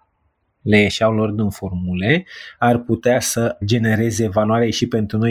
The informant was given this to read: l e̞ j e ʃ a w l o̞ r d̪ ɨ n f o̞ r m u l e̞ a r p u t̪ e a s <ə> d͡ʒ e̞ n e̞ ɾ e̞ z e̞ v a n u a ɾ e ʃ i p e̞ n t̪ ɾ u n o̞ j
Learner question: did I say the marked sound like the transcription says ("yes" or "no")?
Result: yes